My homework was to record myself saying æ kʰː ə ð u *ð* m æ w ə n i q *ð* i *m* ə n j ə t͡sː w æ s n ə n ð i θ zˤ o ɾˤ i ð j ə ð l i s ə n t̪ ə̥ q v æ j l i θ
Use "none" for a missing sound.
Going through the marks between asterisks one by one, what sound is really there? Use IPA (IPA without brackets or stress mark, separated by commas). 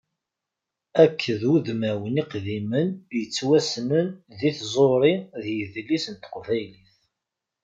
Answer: ð, ð, m